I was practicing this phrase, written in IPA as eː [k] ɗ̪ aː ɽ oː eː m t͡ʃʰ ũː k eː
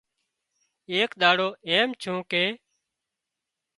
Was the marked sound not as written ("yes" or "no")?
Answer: no